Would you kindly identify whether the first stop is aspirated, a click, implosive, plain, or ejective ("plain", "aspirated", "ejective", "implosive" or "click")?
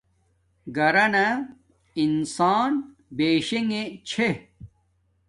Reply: plain